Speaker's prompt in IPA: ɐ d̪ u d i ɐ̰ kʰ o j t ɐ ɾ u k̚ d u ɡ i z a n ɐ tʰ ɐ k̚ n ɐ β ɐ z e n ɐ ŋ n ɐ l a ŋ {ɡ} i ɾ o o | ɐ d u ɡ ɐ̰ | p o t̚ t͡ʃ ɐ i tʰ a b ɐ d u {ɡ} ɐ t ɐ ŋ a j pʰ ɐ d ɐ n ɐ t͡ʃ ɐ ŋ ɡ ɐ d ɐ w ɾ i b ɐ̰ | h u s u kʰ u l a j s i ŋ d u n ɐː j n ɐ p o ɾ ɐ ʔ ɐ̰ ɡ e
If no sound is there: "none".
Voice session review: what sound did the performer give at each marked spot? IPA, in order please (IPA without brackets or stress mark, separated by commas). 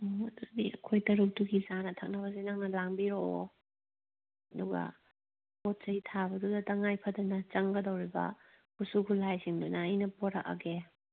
b, d